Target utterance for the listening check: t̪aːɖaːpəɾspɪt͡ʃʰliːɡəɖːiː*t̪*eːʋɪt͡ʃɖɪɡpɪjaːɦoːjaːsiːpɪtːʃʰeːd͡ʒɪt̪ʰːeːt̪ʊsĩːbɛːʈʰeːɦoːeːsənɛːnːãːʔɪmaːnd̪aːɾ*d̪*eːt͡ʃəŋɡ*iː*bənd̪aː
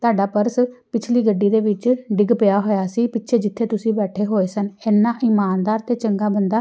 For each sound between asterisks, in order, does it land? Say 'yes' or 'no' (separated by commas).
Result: no, no, no